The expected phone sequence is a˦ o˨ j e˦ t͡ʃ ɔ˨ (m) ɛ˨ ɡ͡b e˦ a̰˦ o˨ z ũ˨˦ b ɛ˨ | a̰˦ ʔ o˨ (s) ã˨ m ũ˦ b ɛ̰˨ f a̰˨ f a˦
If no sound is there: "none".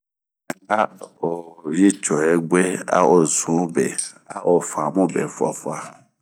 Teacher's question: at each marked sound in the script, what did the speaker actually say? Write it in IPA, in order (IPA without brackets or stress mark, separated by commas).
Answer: none, f